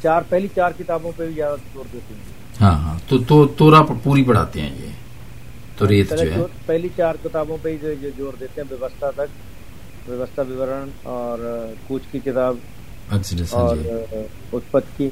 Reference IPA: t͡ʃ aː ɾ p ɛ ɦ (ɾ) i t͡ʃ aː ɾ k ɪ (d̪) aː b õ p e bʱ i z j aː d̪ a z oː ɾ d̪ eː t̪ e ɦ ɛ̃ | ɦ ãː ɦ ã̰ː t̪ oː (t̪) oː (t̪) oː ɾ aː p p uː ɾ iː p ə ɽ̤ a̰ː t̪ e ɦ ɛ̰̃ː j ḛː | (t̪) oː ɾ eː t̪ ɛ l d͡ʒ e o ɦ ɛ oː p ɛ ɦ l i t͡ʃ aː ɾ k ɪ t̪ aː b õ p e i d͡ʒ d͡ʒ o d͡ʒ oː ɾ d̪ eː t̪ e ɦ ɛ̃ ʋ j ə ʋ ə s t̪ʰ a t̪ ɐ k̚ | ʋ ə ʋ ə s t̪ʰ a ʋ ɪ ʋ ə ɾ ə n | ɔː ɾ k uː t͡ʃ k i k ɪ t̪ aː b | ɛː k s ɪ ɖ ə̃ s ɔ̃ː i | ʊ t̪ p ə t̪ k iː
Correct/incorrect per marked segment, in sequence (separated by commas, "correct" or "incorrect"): incorrect, incorrect, correct, correct, correct